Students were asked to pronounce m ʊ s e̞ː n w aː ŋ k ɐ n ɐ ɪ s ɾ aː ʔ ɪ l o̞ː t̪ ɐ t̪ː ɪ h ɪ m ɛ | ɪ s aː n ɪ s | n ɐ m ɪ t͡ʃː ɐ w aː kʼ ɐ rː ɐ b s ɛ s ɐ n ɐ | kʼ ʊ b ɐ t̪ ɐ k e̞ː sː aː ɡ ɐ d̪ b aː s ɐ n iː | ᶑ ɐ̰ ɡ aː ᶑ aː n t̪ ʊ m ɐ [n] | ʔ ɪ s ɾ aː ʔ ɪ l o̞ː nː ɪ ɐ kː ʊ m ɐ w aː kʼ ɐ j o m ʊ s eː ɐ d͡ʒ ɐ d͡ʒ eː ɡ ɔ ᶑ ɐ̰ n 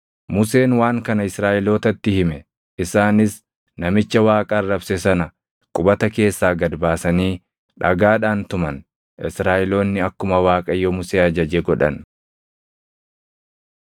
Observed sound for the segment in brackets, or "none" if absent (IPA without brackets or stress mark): n